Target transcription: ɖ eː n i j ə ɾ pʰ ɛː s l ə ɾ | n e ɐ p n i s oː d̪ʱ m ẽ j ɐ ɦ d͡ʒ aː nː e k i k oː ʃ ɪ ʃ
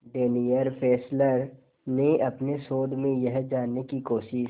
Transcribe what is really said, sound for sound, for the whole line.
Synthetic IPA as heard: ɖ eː n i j ə ɾ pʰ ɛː s l ə ɾ | n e ɐ p n e s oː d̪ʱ m ẽ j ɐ ɦ d͡ʒ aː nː e k i k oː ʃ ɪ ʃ